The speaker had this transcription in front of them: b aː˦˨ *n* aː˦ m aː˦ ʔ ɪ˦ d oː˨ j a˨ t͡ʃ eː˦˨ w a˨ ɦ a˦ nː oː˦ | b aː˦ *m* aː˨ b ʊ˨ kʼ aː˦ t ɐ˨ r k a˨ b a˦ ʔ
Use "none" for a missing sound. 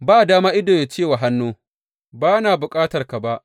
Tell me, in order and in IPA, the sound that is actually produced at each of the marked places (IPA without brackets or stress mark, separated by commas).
d, n